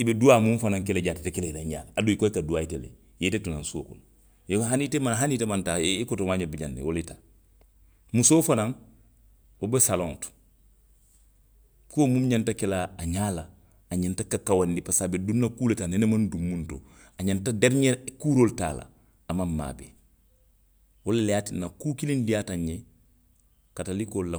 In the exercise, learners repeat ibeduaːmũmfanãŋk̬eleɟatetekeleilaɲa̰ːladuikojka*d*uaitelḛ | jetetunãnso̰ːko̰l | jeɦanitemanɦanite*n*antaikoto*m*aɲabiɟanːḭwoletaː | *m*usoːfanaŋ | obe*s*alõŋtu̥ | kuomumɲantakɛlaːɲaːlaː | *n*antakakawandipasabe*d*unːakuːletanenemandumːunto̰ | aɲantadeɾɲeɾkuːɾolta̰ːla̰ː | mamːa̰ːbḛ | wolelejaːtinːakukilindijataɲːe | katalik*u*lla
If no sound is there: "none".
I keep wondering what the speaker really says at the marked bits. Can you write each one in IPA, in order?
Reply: d, m, m, m, s, ɲ, d, o

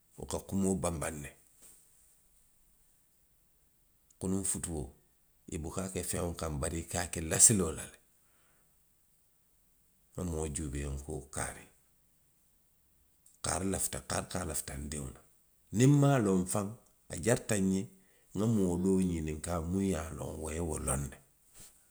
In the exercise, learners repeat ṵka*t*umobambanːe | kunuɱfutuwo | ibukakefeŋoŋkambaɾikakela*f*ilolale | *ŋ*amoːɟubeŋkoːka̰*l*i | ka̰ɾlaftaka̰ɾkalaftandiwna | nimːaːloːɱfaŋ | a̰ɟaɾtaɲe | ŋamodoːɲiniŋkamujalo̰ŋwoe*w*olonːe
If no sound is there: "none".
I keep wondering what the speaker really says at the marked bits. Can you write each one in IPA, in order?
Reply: k, s, ŋ, ɾ, w

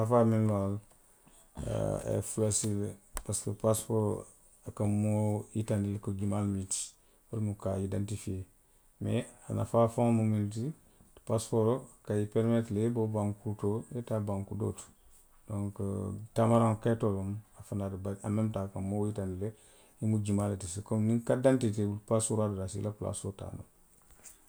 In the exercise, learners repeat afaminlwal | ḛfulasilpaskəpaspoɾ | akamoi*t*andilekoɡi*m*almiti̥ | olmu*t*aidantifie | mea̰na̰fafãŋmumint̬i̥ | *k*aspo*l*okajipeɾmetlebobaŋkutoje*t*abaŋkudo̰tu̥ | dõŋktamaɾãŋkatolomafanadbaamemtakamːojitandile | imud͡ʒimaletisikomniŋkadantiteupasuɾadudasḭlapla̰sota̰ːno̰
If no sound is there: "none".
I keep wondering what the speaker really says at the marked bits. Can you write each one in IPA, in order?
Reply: t, m, k, p, ɾ, t

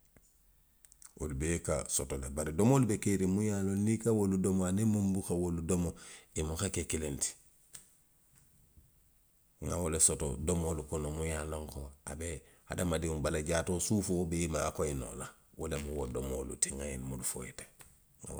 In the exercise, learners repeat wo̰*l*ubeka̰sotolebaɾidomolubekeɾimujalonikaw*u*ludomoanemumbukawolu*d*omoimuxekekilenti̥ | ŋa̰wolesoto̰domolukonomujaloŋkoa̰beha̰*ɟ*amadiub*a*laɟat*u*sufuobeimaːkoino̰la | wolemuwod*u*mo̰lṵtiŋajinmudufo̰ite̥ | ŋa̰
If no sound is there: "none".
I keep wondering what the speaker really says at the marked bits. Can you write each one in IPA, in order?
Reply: l, o, d, d, a, o, o

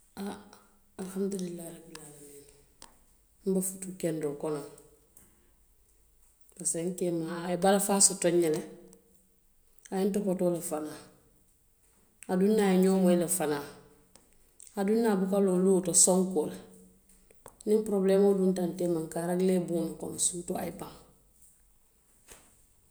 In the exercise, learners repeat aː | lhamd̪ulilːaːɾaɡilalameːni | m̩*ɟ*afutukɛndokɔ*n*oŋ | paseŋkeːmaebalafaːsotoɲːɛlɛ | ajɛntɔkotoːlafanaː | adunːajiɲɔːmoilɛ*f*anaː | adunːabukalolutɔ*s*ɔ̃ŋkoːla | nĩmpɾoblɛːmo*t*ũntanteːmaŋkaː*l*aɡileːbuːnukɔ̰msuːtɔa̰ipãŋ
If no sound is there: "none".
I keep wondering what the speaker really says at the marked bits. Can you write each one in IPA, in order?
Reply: b, n, f, s, d, ɾ

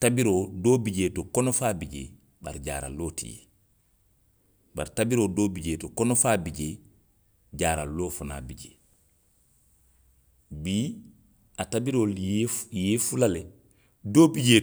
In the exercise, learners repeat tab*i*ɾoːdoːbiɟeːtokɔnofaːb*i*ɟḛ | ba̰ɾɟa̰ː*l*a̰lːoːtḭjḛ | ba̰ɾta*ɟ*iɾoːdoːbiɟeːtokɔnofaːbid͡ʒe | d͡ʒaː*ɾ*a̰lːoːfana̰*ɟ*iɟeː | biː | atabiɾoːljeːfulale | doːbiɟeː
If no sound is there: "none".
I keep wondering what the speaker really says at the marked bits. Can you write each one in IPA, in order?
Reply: i, i, ɾ, b, ɾ, b

